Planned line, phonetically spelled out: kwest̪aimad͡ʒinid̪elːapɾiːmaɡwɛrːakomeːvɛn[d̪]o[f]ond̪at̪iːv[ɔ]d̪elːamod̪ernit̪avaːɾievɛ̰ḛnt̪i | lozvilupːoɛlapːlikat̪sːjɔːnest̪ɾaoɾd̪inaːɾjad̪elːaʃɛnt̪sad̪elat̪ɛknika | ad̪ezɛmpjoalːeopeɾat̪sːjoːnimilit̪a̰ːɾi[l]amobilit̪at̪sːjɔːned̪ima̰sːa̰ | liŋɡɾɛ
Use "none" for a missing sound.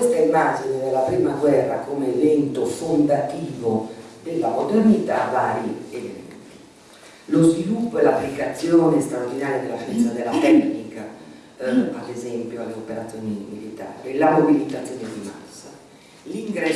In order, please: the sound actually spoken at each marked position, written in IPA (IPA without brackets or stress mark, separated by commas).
t̪, f, o, l